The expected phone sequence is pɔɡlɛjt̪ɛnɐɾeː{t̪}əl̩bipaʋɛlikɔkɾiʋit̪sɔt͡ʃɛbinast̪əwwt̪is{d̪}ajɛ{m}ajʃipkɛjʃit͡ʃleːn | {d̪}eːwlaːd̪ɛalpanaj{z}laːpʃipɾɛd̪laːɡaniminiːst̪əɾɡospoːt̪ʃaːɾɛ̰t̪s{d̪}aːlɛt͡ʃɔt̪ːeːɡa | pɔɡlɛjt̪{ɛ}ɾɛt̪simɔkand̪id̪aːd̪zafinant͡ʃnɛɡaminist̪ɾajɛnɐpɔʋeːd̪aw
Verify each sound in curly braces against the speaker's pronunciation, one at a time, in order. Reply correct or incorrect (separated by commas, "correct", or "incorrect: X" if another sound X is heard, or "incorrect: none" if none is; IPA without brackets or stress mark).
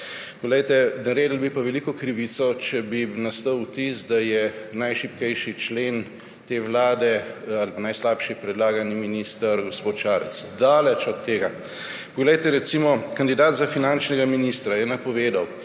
incorrect: d̪, correct, incorrect: n, incorrect: t̪, incorrect: s, correct, correct